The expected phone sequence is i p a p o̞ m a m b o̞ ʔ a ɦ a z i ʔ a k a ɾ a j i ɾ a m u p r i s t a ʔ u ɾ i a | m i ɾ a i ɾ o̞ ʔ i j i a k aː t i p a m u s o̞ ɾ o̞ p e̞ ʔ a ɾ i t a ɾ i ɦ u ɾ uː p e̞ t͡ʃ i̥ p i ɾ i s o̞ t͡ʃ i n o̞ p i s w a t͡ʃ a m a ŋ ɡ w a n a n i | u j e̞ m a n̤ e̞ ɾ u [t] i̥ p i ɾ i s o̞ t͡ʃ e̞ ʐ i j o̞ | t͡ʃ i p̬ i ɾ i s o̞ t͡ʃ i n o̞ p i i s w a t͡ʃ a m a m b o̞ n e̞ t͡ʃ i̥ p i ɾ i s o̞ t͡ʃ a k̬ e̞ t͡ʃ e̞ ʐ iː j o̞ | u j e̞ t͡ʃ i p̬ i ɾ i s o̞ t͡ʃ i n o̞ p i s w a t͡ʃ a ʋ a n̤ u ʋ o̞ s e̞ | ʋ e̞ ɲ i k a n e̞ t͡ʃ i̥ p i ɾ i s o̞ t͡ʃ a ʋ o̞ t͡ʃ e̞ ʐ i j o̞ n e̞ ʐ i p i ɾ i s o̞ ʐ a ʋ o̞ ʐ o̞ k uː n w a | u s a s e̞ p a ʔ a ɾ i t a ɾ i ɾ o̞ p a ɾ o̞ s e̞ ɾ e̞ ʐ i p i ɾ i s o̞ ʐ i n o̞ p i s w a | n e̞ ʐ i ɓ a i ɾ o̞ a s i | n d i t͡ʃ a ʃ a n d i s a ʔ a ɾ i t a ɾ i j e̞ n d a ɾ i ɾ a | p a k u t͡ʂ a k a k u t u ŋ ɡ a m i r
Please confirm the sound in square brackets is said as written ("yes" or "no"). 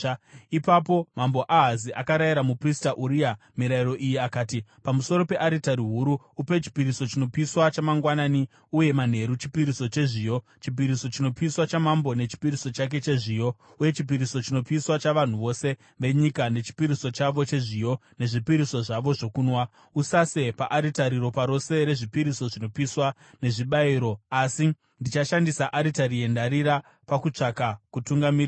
no